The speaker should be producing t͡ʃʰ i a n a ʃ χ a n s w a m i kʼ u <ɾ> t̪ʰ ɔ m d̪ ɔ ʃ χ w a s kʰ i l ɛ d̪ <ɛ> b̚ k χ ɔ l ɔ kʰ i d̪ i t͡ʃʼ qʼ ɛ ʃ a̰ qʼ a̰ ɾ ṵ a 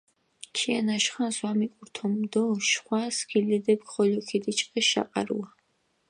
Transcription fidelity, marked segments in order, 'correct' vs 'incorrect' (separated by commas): correct, correct